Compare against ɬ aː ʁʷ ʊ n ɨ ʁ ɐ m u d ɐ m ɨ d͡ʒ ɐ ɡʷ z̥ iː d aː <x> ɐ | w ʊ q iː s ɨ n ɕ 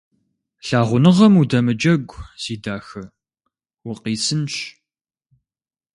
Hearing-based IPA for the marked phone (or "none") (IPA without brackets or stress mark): x